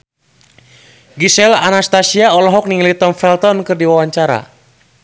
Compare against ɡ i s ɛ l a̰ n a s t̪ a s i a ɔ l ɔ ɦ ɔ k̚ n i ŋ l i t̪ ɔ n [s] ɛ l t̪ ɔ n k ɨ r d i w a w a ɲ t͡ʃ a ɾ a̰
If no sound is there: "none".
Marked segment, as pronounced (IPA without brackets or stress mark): f